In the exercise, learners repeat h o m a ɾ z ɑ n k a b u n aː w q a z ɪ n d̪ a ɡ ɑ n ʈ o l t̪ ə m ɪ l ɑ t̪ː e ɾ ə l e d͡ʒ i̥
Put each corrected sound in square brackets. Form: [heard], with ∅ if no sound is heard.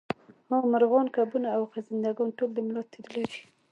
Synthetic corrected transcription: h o m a ɾ [ɣ] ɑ n k a b u n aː w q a z ɪ n d̪ a ɡ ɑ n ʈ o l [d̪] ə m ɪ l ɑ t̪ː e ɾ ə l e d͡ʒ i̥